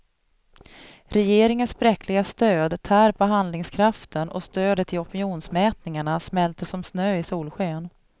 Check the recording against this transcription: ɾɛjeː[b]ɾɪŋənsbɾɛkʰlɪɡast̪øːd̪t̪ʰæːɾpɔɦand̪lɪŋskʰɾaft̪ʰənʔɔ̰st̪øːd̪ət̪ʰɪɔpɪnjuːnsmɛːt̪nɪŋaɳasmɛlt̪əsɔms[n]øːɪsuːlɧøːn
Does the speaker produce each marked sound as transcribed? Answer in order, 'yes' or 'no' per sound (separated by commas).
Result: no, yes